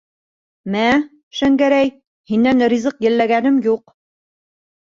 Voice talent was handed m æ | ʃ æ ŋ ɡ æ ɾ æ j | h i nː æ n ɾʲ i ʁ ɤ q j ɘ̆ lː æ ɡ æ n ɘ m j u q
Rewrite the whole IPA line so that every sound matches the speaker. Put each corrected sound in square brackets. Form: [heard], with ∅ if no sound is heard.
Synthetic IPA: m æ | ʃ æ ŋ ɡ æ ɾ æ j | h i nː æ n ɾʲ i [z] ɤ q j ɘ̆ lː æ ɡ æ n ɘ m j u q